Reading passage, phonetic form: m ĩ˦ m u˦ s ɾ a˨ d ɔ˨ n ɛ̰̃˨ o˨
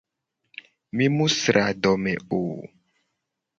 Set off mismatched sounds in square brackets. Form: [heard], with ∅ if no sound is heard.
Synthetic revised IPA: m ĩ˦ m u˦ s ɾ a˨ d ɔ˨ [m] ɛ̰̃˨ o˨